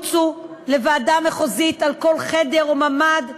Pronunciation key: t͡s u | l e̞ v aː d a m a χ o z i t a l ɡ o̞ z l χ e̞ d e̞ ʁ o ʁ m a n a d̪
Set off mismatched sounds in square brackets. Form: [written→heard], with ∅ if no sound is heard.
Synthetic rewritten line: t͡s u | l e̞ v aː d a m [a→e] χ o z i t a l [ɡ→k] o̞ [z→∅] l χ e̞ d e̞ ʁ o [ʁ→∅] m a [n→m] a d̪